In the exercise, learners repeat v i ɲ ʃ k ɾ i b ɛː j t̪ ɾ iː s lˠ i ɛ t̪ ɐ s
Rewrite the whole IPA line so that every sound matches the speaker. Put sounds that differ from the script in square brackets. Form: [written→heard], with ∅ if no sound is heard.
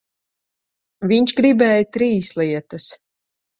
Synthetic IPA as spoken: v i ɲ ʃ [k→ɡ] ɾ i b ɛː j t̪ ɾ iː s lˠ i ɛ t̪ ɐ s